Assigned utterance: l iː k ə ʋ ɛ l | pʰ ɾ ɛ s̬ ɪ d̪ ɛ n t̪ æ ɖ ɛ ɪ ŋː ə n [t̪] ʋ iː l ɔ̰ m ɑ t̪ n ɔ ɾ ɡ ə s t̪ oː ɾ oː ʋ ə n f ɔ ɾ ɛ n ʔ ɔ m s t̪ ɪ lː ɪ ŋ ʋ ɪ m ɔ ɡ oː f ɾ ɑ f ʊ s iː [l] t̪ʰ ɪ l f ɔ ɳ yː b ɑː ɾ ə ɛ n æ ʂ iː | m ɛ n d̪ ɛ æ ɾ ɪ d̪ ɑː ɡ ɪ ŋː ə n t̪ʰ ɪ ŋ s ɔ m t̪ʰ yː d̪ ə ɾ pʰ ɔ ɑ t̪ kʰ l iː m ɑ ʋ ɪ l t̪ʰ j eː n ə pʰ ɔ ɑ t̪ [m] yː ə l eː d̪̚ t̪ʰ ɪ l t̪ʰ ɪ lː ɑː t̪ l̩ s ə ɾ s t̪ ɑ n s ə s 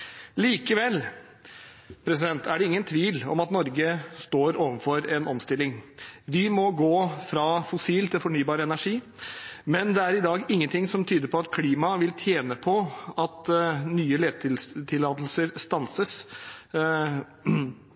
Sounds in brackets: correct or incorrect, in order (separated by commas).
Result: incorrect, correct, incorrect